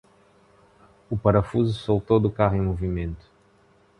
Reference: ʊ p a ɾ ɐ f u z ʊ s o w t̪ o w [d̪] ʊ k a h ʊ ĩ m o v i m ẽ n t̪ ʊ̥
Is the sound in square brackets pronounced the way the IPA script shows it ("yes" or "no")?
yes